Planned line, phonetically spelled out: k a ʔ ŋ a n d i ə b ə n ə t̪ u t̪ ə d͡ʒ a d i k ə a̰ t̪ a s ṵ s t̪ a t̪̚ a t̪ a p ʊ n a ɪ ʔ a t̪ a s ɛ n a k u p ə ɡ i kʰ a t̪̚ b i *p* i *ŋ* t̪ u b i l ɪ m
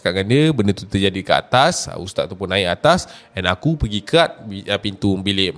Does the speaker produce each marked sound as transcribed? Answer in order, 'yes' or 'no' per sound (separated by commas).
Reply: yes, no